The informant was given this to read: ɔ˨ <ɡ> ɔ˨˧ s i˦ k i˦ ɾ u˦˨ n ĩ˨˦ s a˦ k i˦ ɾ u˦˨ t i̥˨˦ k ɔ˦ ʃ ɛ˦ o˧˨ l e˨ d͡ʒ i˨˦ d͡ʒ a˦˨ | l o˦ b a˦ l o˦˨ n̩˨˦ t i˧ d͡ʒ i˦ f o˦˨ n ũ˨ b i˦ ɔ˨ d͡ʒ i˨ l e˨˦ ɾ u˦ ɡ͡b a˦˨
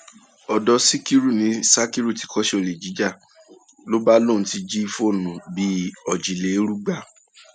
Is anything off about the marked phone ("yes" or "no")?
yes